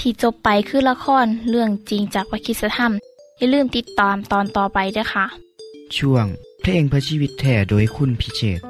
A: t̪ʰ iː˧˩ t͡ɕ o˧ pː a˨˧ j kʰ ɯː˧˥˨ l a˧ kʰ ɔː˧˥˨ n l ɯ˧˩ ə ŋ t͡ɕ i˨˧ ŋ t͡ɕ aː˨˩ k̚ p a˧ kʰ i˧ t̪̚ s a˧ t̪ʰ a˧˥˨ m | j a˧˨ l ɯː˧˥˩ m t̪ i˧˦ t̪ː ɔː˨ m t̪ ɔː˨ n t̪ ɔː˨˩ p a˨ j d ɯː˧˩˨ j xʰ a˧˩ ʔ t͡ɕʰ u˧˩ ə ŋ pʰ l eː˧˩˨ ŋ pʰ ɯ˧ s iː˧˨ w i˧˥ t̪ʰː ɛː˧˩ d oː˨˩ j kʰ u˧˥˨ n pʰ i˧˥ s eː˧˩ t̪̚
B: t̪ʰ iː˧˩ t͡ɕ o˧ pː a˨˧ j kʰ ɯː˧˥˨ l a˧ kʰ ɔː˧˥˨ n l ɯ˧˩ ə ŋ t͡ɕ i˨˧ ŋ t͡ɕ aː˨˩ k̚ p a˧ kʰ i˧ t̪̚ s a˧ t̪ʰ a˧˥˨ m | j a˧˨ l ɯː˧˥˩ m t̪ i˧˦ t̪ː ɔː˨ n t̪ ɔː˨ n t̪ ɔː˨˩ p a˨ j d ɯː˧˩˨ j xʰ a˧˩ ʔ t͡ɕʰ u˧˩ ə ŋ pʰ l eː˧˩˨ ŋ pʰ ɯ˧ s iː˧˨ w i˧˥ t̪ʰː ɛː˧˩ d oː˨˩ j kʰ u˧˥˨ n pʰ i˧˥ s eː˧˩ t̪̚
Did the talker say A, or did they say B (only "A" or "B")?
A